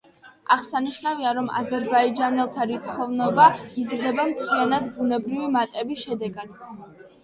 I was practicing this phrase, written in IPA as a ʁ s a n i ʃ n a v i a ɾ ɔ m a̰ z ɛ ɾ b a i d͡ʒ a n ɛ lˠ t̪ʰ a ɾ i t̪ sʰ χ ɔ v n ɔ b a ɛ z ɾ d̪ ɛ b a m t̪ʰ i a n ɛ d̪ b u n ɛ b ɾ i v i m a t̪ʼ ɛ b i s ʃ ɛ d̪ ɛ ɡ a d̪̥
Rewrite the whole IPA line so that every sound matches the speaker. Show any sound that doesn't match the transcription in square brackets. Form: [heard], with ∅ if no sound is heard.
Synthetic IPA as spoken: a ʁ s a n i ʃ n a v i a ɾ ɔ m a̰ z ɛ ɾ b a i d͡ʒ a n ɛ lˠ t̪ʰ a ɾ i t̪ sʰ χ ɔ v n ɔ b a [i] z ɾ d̪ ɛ b a m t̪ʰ i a n [a] d̪ b u n ɛ b ɾ i v i m a t̪ʼ ɛ b i s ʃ ɛ d̪ ɛ ɡ a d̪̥

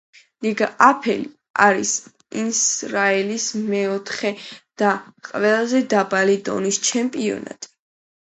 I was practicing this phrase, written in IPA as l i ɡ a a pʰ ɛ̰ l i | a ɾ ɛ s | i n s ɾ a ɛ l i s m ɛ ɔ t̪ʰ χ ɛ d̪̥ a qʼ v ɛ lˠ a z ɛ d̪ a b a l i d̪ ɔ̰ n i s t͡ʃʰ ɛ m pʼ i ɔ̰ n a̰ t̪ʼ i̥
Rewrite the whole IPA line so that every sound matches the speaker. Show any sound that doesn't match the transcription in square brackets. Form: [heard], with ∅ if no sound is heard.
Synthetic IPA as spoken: l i ɡ a a pʰ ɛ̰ l i | a ɾ [i] s | i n s ɾ a ɛ l i s m ɛ ɔ t̪ʰ χ ɛ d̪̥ a qʼ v ɛ lˠ a z ɛ d̪ a b a l i d̪ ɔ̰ n i s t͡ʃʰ ɛ m pʼ i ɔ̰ n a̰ t̪ʼ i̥

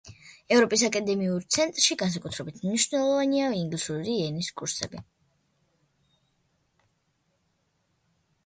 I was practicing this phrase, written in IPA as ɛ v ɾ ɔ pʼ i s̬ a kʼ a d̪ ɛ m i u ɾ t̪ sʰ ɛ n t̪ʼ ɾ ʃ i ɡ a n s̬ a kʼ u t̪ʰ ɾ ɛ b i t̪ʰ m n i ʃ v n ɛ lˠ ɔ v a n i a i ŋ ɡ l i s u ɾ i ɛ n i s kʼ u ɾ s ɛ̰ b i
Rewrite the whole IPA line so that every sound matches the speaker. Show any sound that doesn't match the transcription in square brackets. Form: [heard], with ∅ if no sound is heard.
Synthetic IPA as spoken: ɛ v ɾ ɔ pʼ i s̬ a kʼ a d̪ ɛ m i u ɾ t̪ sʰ ɛ n t̪ʼ ɾ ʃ i ɡ a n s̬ a kʼ u t̪ʰ ɾ ɛ b i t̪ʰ m n i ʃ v n ɛ lˠ ɔ v a n i a i ŋ ɡ l i s u ɾ i ɛ n i s kʼ u ɾ s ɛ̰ b i

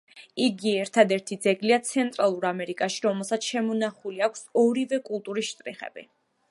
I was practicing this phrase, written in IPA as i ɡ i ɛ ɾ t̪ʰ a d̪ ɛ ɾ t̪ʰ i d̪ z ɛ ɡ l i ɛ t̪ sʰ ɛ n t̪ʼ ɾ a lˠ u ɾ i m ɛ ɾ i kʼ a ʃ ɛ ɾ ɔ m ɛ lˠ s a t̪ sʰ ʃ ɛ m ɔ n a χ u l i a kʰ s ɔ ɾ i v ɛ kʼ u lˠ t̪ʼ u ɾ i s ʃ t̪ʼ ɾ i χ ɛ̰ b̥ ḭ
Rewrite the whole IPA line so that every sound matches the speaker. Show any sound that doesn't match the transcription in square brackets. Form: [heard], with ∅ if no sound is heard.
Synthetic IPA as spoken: i ɡ i ɛ ɾ t̪ʰ a d̪ ɛ ɾ t̪ʰ i d̪ z ɛ ɡ l i [a] t̪ sʰ ɛ n t̪ʼ ɾ a lˠ u ɾ [a] m ɛ ɾ i kʼ a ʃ [i] ɾ ɔ m ɛ lˠ s a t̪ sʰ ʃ ɛ m ɔ n a χ u l i a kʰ s ɔ ɾ i v ɛ kʼ u lˠ t̪ʼ u ɾ i s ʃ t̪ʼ ɾ i χ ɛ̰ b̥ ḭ

